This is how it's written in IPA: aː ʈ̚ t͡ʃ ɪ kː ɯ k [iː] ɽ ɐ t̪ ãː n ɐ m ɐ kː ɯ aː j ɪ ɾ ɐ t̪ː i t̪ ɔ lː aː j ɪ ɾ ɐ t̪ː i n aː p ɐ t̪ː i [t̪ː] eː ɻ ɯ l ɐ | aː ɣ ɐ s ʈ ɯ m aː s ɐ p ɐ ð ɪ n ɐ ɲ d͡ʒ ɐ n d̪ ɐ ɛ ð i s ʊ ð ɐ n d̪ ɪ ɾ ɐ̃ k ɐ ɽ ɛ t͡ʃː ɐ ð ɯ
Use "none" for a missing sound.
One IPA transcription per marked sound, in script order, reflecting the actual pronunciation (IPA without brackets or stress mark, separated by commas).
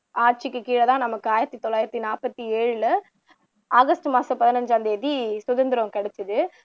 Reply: iː, none